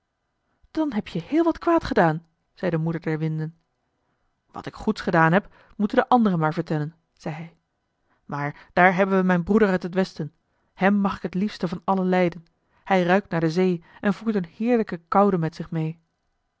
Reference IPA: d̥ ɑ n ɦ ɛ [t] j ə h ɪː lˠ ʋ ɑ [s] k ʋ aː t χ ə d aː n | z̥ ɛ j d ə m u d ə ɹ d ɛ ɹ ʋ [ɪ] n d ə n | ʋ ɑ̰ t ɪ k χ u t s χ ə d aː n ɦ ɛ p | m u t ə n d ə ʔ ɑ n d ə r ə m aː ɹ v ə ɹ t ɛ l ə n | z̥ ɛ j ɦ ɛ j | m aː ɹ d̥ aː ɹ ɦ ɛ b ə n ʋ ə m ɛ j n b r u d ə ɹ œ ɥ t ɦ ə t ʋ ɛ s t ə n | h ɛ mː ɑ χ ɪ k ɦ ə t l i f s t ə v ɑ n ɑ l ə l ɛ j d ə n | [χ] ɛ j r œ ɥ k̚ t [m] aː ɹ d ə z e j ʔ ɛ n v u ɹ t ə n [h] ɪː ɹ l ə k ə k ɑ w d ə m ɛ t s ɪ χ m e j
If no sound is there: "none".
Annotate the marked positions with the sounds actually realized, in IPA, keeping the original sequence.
p, t, ɪ, h, n, h

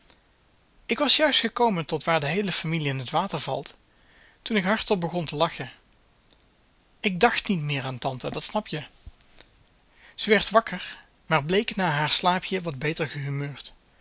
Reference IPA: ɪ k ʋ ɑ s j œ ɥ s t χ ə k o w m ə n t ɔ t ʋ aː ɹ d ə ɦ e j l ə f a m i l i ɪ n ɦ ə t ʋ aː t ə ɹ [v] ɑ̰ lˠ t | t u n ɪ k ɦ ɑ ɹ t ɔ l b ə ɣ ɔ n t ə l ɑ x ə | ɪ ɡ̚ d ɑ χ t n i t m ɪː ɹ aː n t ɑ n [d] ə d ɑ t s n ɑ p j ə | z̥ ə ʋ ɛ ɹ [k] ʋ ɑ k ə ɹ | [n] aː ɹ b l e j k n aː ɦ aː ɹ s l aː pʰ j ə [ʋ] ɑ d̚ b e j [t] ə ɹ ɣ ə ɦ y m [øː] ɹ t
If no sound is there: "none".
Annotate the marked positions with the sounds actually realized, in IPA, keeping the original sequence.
v, t, t, m, ʋ, t, øː

